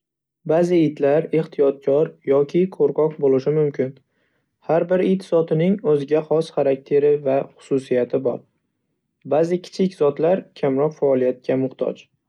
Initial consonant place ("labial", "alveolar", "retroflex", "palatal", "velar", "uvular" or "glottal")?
labial